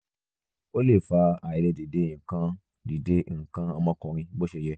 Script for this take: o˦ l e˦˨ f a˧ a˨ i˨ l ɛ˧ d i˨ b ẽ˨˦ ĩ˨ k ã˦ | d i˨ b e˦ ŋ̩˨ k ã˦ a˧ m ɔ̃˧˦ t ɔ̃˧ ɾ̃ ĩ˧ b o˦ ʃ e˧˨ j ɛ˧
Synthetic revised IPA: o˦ l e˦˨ f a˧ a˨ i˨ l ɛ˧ d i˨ d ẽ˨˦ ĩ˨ k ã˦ | d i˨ d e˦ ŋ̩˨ k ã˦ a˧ m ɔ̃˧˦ k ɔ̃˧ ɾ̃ ĩ˧ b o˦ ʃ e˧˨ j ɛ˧